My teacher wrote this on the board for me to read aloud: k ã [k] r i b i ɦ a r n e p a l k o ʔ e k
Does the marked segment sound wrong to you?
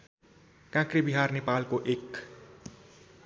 no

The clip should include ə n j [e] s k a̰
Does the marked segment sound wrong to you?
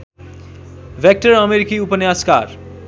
yes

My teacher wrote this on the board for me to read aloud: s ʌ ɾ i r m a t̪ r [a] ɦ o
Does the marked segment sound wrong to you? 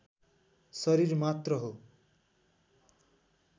yes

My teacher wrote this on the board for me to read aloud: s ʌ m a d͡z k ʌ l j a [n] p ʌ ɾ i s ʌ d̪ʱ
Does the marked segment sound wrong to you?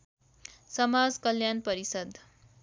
no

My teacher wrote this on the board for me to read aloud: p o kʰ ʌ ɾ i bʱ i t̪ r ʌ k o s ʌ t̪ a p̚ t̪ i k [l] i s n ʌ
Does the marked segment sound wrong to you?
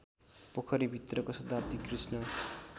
yes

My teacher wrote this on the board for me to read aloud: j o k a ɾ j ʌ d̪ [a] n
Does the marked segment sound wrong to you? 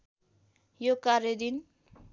yes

